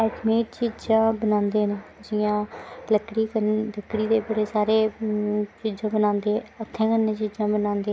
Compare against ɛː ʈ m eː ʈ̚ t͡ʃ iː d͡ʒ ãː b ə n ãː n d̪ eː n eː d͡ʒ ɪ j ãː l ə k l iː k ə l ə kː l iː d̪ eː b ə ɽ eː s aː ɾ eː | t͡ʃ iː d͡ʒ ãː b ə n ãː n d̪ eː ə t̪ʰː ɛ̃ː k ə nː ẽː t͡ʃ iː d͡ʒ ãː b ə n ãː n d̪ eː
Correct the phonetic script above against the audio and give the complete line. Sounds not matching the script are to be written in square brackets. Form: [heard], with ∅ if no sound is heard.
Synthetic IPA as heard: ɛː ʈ m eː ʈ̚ t͡ʃ iː d͡ʒ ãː b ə n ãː n d̪ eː n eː d͡ʒ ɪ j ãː l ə k [ɽ] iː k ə l ə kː [ɽ] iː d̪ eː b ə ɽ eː s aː ɾ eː | t͡ʃ iː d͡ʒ ãː b ə n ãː n d̪ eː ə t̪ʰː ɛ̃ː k ə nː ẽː t͡ʃ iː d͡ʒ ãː b ə n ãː n d̪ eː

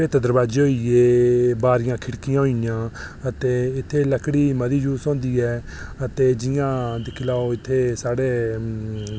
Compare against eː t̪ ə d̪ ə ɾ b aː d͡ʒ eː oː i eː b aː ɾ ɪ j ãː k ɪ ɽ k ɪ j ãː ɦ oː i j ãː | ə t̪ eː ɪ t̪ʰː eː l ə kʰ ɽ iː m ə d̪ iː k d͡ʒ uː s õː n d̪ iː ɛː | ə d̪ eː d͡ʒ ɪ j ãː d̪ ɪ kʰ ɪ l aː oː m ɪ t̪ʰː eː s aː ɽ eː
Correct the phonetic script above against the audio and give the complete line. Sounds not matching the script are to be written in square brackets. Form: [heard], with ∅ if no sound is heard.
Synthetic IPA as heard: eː t̪ ə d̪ ə ɾ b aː d͡ʒ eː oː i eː b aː ɾ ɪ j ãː [kʰ] ɪ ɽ k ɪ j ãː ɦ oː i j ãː | ə t̪ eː ɪ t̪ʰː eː l ə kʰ ɽ iː m ə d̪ iː [∅] d͡ʒ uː s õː n d̪ iː ɛː | ə [t̪] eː d͡ʒ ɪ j ãː d̪ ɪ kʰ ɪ l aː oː [∅] ɪ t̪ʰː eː s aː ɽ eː

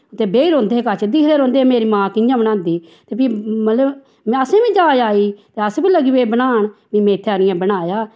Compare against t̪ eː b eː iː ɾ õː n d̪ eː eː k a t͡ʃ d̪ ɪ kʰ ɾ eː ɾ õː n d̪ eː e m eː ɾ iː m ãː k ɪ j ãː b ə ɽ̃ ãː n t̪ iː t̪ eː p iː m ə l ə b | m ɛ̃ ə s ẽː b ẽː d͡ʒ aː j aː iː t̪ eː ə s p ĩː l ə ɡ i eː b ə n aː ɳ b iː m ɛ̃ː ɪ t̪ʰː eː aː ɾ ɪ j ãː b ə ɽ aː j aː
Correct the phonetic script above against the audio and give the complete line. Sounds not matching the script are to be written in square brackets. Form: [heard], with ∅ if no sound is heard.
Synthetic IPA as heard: t̪ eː b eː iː ɾ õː n d̪ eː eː k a t͡ʃ d̪ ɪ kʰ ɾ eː ɾ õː n d̪ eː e m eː ɾ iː m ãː k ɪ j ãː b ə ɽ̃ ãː n [d̪] iː t̪ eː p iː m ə l ə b | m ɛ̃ ə s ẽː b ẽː d͡ʒ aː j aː iː t̪ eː ə s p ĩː l ə ɡ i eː b ə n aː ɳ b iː m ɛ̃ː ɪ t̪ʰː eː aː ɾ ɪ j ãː b ə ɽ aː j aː

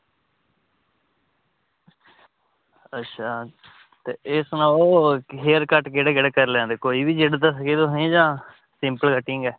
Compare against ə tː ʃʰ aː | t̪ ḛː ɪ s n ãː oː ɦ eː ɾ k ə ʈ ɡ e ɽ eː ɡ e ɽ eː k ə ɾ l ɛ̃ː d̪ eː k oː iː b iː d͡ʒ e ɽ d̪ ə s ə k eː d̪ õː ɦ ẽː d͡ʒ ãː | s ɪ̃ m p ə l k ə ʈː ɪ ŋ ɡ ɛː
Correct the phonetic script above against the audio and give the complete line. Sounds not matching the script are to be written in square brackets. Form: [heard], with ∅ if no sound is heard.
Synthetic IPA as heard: ə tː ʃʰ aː | t̪ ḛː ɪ s n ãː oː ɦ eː ɾ k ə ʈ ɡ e ɽ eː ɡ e ɽ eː k ə ɾ l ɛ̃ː d̪ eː k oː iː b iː d͡ʒ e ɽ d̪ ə s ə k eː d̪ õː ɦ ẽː d͡ʒ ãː | s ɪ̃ m p ə l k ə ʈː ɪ ŋ ɡ ɛː

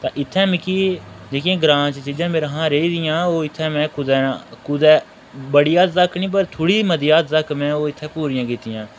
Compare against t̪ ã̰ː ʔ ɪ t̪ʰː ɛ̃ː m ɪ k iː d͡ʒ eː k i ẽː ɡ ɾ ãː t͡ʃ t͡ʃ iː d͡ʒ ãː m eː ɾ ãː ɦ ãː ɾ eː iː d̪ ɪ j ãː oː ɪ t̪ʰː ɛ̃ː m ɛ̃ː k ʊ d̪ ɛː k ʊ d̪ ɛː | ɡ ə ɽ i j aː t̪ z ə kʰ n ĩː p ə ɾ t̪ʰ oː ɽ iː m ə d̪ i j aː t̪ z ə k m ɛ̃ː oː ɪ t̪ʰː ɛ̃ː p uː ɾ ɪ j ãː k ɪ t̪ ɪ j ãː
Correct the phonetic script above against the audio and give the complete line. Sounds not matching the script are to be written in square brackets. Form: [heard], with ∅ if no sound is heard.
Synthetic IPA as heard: t̪ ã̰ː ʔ ɪ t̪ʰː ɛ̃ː m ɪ k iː d͡ʒ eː k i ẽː ɡ ɾ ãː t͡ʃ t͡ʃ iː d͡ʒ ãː m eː ɾ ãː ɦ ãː ɾ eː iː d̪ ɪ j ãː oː ɪ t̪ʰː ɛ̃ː m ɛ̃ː k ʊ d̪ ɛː k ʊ d̪ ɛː | [b] ə ɽ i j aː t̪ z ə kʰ n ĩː p ə ɾ t̪ʰ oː ɽ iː m ə d̪ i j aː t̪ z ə k m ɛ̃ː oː ɪ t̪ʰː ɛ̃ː p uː ɾ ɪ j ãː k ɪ t̪ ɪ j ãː

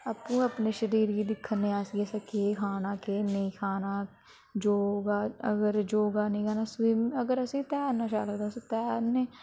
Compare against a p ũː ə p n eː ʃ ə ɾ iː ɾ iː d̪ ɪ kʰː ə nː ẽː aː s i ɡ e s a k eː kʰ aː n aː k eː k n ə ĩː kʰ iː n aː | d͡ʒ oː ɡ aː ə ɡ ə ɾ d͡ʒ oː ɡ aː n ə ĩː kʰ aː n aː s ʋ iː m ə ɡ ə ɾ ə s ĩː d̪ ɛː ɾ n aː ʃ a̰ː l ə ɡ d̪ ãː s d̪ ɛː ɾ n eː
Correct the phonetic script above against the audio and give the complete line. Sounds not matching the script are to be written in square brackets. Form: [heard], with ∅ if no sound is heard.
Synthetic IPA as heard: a p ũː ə p n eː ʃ ə ɾ iː ɾ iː d̪ ɪ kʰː ə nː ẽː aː s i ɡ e s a k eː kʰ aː n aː k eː [∅] n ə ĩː kʰ [aː] n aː | d͡ʒ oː ɡ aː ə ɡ ə ɾ d͡ʒ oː ɡ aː n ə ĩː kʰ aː n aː s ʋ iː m ə ɡ ə ɾ ə s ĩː [t̪] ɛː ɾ n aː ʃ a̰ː l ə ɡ d̪ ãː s [t̪] ɛː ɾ n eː

